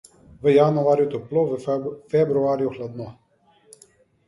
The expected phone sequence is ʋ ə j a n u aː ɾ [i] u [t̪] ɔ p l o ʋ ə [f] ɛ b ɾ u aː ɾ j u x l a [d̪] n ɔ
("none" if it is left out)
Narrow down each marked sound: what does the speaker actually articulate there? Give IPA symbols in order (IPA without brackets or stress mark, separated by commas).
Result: j, t̪, f, d̪